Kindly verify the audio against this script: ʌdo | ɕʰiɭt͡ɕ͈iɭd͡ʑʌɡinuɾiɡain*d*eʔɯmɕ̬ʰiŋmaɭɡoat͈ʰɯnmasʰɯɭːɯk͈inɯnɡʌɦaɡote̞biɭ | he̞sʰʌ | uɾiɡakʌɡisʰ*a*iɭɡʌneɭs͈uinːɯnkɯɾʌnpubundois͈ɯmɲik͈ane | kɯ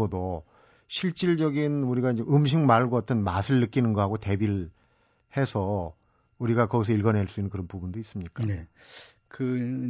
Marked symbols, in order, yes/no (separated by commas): no, no